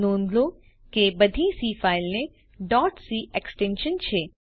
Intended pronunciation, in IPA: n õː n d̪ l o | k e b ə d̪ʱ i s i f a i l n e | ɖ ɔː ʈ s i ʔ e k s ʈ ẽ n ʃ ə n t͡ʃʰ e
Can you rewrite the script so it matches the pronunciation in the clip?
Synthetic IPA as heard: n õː n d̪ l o | k e b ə d̪ʱ i s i f a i l n e | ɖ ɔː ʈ s i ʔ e k s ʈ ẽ n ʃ ə n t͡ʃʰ e